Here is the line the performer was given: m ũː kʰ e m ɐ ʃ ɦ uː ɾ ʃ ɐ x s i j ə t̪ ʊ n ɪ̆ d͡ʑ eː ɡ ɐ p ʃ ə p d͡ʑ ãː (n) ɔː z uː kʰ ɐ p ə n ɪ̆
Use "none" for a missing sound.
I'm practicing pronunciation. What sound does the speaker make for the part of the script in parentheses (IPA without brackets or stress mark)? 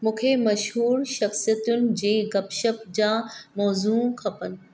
m